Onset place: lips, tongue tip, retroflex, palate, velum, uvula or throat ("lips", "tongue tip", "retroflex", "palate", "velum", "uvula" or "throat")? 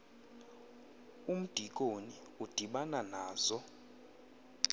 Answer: lips